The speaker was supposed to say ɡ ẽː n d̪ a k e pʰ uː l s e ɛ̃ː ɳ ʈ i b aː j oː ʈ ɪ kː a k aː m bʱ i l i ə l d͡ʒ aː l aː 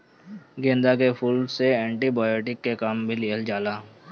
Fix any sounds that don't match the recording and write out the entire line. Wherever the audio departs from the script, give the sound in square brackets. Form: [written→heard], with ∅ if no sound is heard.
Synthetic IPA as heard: ɡ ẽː n d̪ a k e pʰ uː l s e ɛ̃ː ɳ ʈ i b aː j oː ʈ ɪ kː [a→e] k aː m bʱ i l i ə l d͡ʒ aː l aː